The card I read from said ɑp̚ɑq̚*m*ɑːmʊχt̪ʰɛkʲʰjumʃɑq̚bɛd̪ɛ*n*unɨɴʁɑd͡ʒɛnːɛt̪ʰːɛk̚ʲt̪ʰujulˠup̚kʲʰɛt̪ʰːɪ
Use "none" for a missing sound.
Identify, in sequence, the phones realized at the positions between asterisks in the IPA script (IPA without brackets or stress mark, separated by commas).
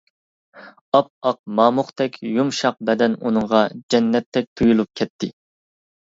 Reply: m, n